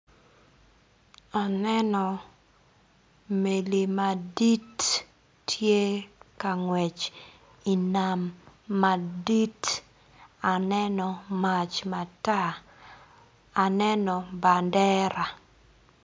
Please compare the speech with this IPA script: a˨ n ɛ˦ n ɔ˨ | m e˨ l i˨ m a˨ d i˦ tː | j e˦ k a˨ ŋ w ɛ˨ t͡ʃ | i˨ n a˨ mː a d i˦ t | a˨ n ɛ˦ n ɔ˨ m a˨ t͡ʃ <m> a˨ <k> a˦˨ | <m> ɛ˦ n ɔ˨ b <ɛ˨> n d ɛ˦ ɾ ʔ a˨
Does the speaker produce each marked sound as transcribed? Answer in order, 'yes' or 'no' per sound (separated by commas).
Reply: yes, no, no, no